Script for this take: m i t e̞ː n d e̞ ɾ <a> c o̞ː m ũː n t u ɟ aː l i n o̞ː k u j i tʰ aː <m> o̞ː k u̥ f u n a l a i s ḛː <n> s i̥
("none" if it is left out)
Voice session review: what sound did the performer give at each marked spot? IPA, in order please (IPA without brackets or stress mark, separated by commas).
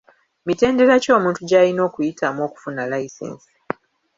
a, m, n